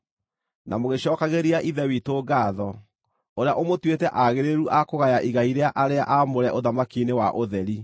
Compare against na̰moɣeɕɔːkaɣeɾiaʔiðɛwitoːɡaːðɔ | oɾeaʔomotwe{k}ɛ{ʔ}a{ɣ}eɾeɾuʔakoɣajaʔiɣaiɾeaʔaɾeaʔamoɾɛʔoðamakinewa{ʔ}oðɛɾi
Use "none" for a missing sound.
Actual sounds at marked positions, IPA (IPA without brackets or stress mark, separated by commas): t, ʔ, ɣ, ʔ